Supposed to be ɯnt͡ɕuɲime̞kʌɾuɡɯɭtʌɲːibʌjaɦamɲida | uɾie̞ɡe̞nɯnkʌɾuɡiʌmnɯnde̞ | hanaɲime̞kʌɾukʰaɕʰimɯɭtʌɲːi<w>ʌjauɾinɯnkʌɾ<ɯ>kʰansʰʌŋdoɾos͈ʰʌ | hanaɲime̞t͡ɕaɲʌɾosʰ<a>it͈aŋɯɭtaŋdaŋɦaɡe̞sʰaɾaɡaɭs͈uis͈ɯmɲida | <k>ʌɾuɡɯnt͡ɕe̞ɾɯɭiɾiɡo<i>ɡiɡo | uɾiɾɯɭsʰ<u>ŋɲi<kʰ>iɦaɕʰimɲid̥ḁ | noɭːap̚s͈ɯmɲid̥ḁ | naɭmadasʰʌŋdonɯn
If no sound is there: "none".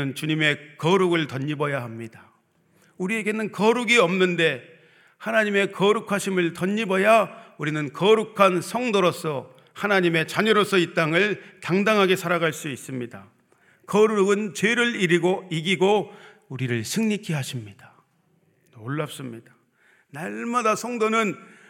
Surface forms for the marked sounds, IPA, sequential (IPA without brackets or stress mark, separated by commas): b, u, ʌ, k, i, ɯ, kʰ